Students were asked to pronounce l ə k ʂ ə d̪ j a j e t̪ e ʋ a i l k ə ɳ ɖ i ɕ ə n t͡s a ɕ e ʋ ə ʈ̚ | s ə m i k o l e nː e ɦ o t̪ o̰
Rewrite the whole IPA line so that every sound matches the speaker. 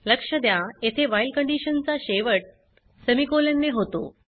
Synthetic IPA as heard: l ə k ʂ ə d̪ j a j e t̪ʰ e ʋ a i l k ə ɳ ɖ i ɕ ə n t͡s a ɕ e ʋ ə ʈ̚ | s ə m i k o l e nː e ɦ o t̪ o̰